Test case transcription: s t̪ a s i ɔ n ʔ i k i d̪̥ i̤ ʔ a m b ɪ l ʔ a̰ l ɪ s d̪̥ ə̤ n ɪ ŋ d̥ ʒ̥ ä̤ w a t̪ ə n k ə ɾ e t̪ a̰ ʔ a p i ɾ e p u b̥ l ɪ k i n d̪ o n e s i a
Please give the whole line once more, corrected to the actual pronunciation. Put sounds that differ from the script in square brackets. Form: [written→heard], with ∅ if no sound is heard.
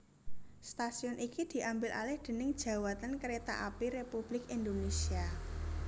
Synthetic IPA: s t̪ a s i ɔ n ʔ i k i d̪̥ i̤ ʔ a m b ɪ l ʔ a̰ l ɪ [s→h] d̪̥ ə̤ n ɪ ŋ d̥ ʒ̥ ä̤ w a t̪ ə n k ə ɾ e t̪ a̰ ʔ a p i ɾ e p u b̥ l ɪ k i n d̪ o n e s i a